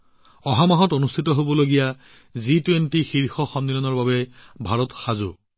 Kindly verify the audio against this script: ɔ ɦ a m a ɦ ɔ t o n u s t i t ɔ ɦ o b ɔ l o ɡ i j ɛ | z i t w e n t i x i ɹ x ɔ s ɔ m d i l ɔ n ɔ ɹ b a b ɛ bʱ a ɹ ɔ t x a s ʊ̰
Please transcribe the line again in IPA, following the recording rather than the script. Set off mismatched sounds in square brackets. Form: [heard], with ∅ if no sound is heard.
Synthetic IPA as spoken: ɔ ɦ a m a ɦ ɔ t o n u s [tʰ] i t ɔ ɦ o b ɔ l o ɡ i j [a] | z i t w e n t i x i ɹ x ɔ [x] ɔ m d i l ɔ n ɔ ɹ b a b ɛ bʱ a ɹ ɔ t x a [z] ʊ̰